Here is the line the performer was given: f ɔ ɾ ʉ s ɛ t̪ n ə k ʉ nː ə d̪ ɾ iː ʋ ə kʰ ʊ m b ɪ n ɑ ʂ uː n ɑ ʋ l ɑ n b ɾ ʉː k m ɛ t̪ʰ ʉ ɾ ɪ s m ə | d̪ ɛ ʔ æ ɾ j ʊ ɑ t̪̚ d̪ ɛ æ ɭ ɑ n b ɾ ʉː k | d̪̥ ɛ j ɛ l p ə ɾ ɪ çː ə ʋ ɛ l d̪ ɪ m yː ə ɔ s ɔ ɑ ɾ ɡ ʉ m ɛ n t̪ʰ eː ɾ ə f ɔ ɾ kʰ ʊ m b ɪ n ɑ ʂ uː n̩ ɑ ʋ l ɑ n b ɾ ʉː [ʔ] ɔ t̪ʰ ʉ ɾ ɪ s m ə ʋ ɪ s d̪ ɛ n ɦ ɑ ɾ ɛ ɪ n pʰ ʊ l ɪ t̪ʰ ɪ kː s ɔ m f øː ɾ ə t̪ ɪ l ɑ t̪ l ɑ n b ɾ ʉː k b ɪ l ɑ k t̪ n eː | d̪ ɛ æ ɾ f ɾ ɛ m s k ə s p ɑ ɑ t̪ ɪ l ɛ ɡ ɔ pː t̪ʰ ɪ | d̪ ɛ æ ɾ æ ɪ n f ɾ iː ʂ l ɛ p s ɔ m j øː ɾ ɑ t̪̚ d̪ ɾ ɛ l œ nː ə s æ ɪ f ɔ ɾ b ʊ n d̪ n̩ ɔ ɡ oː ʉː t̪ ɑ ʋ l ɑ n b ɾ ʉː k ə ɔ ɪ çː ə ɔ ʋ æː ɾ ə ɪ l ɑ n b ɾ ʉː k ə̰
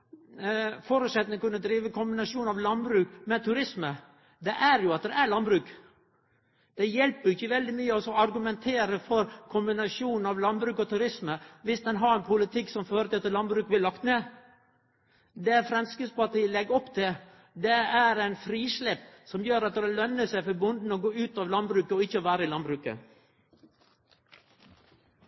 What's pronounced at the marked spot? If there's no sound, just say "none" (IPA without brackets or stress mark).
k